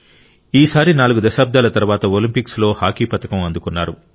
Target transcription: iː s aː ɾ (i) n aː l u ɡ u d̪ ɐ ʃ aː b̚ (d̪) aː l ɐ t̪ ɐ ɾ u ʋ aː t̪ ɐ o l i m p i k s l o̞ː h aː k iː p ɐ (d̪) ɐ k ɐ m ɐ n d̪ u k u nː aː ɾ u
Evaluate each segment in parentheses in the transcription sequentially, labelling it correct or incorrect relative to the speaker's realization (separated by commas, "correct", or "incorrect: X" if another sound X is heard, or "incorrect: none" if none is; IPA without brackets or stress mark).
correct, correct, incorrect: t̪